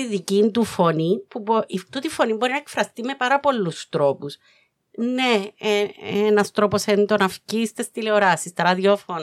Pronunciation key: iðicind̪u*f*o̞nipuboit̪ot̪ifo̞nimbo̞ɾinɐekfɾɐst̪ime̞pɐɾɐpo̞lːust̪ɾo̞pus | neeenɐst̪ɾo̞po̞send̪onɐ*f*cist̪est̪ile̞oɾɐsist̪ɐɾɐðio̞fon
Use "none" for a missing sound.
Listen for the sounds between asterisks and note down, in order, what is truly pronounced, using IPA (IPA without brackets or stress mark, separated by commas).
f, f